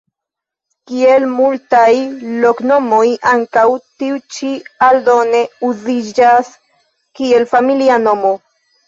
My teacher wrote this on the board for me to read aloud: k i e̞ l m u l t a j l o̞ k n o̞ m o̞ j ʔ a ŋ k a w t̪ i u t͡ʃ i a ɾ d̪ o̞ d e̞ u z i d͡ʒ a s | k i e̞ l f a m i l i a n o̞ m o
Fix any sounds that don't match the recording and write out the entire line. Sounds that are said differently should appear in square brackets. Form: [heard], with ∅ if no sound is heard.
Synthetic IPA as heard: k i e̞ l m u l t a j l o̞ k n o̞ m o̞ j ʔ a ŋ k a w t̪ i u t͡ʃ i a [l] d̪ o̞ [n] e̞ u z i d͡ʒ a s | k i e̞ l f a m i l i a n o̞ m o